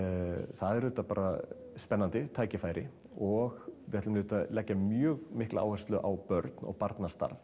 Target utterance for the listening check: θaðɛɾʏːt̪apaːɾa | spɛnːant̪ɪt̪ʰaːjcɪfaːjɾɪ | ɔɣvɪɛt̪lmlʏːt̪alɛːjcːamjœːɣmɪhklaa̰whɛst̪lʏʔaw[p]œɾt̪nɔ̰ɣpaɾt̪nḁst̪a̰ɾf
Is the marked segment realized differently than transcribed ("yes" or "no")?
no